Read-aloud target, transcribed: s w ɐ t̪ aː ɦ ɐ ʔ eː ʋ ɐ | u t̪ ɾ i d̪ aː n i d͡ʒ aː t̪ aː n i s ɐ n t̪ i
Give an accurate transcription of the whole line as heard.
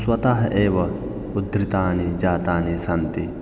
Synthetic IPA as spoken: s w ɐ t̪ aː ɦ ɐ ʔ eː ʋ ɐ | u d̪ ɾ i t̪ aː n i d͡ʒ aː t̪ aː n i s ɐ n t̪ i